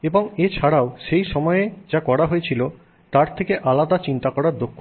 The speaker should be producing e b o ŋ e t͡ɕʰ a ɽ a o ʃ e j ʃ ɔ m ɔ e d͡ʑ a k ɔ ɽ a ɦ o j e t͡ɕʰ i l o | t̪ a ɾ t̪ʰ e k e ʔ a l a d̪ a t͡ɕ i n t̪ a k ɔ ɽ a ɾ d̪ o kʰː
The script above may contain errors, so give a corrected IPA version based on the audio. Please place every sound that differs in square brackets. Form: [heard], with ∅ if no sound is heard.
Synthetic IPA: e b o ŋ e t͡ɕʰ a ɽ a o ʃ e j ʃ ɔ m ɔ e d͡ʑ a k ɔ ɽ a ɦ o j e t͡ɕʰ i l o | t̪ a ɾ t̪ʰ e k e ʔ a l a d̪ a t͡ɕ i n t̪ a k ɔ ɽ a ɾ d̪ o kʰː